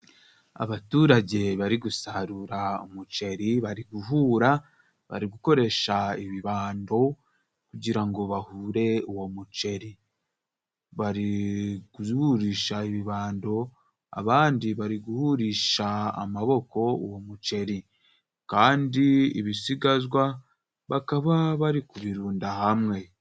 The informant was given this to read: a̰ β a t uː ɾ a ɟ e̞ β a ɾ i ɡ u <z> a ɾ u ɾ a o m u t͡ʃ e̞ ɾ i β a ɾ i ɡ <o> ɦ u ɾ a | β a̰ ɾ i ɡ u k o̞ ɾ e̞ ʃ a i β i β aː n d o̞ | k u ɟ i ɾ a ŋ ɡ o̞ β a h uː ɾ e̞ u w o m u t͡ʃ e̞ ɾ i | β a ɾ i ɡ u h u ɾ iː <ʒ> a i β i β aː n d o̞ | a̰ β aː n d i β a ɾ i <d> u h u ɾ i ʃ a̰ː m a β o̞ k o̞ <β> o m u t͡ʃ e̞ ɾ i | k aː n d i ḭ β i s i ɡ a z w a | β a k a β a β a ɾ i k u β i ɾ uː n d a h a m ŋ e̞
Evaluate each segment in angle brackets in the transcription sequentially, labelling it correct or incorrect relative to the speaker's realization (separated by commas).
incorrect, incorrect, incorrect, incorrect, incorrect